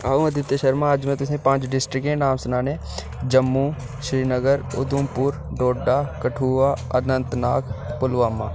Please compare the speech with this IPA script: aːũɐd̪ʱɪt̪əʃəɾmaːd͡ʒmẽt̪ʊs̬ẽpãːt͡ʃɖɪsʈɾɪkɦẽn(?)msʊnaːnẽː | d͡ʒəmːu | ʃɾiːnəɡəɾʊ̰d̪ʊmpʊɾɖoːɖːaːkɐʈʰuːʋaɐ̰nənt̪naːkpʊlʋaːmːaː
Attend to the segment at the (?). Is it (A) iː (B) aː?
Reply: B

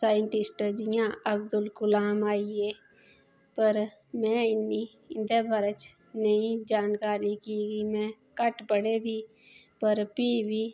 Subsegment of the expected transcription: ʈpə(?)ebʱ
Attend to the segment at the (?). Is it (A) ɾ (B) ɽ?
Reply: B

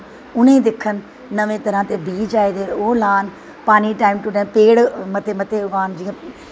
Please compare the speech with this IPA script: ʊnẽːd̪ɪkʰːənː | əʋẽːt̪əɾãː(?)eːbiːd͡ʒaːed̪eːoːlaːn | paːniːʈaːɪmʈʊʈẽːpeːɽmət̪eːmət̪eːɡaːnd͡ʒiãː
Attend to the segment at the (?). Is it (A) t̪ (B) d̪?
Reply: A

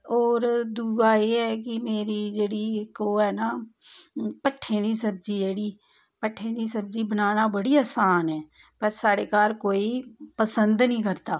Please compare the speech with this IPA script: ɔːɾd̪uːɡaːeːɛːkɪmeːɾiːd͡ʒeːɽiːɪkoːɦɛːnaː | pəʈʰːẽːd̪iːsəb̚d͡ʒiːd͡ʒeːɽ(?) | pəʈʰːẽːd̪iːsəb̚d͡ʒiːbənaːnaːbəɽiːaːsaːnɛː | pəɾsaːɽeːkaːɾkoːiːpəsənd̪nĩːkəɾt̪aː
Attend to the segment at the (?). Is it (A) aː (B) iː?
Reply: B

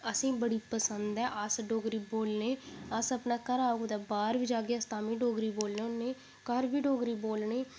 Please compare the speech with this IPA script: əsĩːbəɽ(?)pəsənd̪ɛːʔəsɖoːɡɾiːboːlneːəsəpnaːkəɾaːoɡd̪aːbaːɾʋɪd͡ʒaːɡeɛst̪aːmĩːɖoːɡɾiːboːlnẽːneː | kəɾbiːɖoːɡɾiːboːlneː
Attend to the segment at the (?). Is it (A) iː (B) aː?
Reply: A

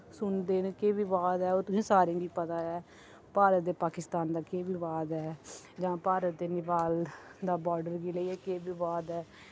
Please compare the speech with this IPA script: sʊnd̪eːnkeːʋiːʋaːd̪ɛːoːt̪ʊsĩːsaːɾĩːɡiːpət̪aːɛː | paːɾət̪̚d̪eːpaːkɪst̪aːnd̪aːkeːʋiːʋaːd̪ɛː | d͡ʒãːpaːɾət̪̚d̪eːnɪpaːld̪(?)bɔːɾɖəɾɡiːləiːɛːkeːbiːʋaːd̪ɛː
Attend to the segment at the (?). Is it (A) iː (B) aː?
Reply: B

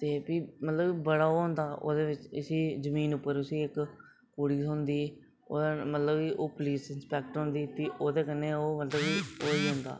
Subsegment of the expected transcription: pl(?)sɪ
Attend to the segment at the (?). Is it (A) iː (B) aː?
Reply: A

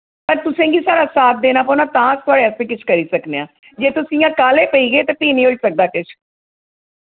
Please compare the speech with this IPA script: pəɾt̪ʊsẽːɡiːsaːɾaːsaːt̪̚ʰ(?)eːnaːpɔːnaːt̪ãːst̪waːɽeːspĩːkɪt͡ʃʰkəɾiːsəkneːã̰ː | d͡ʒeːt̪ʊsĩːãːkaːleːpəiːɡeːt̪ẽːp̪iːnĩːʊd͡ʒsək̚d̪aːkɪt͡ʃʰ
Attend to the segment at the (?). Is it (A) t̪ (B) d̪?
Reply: B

